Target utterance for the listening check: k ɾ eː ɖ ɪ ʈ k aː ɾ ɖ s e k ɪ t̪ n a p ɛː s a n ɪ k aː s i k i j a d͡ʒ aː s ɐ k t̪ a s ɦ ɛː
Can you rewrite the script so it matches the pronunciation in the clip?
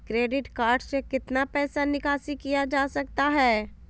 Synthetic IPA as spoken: k ɾ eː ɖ ɪ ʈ k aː ɾ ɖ s e k ɪ t̪ n a p ɛː s a n ɪ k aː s i k i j a d͡ʒ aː s ɐ k t̪ a ɦ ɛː